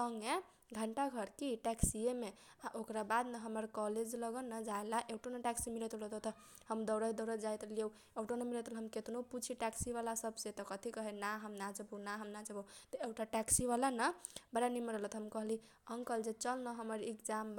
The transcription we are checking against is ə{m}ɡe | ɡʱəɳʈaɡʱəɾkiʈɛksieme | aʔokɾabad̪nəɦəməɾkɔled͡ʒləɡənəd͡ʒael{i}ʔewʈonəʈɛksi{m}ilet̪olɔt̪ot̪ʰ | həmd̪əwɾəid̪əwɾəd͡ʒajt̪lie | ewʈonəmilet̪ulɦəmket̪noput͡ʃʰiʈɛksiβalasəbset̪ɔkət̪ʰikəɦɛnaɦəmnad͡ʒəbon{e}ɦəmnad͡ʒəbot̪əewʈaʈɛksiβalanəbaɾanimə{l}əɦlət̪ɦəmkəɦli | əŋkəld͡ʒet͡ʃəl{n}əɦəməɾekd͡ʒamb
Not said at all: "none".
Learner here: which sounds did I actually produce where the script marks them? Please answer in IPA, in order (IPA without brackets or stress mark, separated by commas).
ŋ, a, m, a, ɾ, n